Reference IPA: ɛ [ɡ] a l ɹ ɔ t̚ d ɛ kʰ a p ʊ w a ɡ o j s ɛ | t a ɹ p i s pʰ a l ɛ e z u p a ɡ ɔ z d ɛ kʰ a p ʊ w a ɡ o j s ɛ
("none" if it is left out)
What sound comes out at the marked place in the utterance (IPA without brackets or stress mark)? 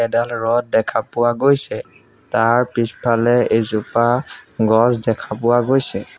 d